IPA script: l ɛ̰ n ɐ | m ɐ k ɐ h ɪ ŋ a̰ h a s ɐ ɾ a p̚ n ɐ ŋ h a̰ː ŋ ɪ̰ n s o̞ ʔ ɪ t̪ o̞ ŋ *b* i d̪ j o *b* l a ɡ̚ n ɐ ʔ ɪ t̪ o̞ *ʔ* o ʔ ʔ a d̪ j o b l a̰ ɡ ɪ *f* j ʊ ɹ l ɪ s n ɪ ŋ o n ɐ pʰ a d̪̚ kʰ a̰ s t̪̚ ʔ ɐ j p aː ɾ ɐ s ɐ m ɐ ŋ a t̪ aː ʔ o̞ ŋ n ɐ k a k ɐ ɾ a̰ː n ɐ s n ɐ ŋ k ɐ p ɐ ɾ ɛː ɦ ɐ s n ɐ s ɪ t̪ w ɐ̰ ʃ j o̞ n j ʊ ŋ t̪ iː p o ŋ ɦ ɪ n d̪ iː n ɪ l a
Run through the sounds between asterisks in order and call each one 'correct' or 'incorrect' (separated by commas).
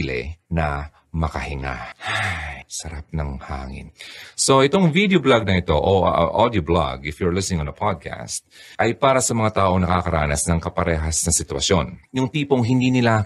incorrect, correct, correct, correct